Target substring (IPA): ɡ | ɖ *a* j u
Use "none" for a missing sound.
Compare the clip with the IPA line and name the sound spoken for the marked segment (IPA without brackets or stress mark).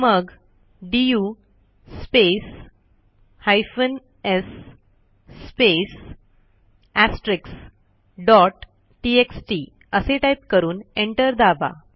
i